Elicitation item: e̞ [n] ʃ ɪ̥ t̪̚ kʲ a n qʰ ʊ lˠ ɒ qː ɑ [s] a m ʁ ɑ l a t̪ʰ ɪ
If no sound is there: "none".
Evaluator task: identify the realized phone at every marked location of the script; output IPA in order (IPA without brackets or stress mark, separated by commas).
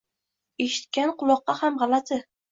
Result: none, h